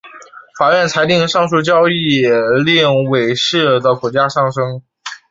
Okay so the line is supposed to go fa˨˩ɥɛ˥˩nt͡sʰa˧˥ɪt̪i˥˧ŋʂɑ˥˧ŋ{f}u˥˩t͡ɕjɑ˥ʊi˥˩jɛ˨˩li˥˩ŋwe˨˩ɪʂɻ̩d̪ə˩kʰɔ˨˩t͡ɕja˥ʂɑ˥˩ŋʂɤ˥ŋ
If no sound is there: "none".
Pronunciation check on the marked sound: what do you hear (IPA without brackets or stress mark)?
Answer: ʂ